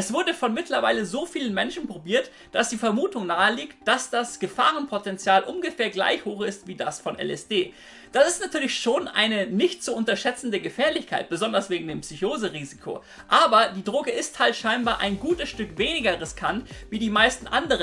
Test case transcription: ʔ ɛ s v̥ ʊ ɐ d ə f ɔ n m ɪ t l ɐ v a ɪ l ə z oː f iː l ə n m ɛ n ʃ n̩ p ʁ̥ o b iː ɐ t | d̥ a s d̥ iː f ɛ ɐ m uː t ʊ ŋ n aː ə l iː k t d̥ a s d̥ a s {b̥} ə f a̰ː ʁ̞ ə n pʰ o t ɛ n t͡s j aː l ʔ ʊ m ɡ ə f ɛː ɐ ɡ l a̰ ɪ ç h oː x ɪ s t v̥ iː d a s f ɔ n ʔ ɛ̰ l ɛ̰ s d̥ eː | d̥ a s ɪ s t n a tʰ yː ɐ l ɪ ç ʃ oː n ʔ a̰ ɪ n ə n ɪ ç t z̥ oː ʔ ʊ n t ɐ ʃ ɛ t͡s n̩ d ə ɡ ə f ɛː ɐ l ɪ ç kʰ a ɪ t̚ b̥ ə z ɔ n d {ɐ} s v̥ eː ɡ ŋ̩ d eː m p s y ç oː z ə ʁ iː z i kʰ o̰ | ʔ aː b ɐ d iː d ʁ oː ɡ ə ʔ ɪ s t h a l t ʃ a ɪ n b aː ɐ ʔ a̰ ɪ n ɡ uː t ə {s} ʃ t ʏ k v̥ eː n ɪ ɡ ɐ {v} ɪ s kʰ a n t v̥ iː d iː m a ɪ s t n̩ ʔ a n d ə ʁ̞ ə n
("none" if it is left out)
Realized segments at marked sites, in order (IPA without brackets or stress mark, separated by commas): ɡ̥, ɐ, s, ʁ